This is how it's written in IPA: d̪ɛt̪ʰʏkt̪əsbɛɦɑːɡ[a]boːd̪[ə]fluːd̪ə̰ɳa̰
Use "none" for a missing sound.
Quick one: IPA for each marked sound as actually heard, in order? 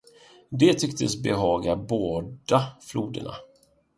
a, a

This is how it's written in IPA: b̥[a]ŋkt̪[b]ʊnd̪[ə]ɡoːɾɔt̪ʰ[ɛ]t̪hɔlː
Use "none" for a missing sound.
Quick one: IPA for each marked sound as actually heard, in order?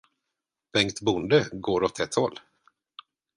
ɛ, b, ə, ɛ

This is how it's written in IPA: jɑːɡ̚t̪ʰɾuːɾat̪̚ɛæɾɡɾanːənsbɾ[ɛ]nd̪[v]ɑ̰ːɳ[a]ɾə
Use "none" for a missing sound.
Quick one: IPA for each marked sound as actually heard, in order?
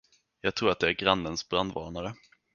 a, v, a

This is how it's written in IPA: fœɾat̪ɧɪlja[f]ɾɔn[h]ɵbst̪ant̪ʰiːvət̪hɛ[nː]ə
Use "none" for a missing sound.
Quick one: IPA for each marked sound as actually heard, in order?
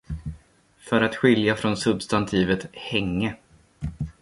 f, s, ŋː

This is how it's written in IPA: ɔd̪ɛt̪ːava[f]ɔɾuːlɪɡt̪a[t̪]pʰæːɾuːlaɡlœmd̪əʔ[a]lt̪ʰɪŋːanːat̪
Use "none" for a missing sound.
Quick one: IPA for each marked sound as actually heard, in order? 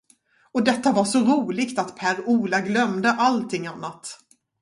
ʂ, t̪, a

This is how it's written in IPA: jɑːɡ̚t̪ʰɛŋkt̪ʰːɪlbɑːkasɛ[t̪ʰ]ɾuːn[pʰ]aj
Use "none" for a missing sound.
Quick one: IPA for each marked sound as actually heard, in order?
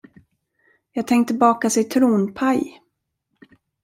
t̪ʰ, pʰ

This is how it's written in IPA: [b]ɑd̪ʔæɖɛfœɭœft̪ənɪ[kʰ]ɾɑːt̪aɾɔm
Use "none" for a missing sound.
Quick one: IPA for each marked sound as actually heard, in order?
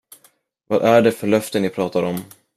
v, pʰ

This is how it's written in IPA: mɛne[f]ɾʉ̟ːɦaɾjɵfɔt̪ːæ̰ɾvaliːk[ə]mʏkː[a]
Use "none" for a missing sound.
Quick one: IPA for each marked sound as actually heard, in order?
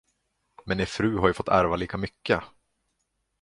f, a, ə

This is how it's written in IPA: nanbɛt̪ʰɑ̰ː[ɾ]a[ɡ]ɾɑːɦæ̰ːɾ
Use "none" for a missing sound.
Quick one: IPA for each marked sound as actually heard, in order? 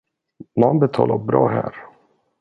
l, b

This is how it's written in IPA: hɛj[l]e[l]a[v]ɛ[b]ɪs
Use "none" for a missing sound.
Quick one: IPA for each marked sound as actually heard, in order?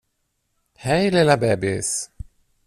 l, l, b, b

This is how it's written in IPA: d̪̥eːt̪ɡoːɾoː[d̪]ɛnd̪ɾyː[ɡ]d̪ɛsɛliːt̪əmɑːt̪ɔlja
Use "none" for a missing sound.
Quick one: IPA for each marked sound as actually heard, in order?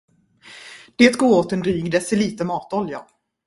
t̪, ɡ

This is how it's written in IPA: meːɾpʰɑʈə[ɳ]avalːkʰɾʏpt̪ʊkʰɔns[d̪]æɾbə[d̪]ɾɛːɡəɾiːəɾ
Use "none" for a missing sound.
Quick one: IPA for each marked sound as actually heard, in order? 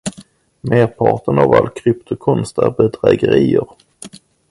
n, t̪, d̪

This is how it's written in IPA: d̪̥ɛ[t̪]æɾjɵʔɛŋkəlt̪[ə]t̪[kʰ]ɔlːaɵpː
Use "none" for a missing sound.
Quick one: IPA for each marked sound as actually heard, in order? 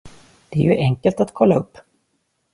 none, a, kʰ

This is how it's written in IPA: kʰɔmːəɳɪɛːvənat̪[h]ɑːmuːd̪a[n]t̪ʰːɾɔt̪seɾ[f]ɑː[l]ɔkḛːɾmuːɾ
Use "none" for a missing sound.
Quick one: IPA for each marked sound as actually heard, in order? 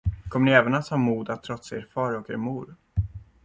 h, none, f, ɾ

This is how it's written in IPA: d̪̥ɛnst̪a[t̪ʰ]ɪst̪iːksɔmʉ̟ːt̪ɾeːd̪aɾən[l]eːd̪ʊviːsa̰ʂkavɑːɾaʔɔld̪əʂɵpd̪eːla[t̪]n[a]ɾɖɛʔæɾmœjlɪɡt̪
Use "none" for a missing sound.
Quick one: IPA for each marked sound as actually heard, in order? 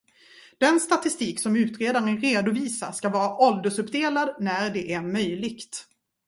t̪, ɾ, d̪, æ

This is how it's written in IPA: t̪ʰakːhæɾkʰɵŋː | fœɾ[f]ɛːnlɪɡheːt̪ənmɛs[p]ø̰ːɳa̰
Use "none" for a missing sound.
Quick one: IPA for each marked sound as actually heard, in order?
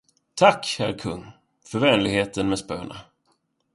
v, p

